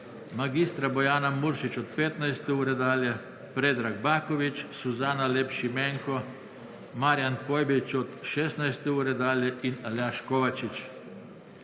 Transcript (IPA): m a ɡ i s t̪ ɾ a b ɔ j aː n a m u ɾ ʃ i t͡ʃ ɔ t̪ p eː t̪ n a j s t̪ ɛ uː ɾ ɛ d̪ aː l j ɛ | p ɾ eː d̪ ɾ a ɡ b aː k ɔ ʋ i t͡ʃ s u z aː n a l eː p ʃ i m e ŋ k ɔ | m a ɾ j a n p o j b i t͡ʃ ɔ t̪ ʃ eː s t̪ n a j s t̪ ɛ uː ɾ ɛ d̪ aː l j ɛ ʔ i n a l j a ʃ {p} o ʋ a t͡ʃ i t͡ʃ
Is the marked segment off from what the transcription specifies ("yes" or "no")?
yes